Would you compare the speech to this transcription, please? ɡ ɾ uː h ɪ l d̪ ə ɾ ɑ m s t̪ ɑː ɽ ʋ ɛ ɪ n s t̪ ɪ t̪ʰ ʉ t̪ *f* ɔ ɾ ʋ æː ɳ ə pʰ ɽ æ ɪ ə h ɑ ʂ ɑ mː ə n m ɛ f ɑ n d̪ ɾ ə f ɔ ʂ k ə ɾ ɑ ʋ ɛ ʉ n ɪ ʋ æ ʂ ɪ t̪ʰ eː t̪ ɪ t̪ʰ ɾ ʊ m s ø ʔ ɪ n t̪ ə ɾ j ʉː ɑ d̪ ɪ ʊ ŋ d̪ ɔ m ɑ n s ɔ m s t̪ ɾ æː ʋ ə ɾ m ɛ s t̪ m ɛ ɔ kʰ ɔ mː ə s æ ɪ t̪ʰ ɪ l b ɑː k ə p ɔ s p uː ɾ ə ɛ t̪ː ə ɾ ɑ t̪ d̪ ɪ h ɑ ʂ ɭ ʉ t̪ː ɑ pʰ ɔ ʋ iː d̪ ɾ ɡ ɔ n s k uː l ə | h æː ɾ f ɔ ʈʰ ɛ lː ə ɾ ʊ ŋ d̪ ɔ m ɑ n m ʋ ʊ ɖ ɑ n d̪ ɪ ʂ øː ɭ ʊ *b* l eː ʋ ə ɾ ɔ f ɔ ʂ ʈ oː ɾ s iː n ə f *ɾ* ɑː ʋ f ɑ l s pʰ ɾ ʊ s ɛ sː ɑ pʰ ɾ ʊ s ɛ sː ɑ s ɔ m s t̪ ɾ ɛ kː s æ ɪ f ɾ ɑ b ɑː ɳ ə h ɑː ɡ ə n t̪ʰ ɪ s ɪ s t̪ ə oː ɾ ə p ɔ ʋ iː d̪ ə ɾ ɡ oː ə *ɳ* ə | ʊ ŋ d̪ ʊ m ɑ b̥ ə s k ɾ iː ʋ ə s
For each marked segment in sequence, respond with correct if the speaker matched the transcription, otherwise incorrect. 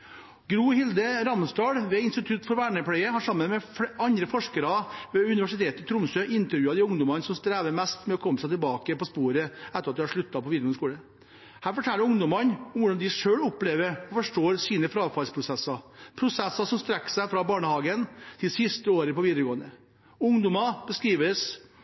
correct, incorrect, correct, incorrect

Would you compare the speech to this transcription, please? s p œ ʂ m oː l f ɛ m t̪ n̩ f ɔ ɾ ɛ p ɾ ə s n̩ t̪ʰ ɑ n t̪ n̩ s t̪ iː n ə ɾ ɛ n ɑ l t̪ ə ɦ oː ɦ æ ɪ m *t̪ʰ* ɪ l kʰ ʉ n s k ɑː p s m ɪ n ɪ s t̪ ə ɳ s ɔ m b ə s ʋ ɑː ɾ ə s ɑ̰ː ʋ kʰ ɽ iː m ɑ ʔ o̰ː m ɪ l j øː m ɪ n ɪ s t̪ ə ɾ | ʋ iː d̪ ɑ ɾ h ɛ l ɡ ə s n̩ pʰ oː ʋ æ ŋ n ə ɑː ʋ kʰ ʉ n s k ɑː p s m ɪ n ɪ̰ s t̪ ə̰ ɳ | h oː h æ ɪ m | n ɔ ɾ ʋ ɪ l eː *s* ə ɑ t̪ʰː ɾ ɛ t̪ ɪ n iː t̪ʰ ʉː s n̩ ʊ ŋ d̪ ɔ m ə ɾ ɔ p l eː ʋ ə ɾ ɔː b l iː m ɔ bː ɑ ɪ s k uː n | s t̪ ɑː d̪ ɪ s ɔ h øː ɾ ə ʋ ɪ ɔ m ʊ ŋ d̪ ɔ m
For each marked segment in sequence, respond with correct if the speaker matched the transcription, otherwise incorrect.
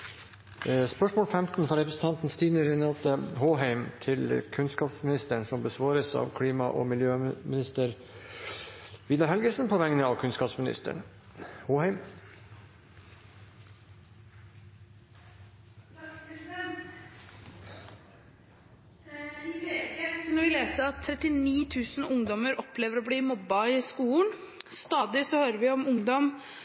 correct, correct

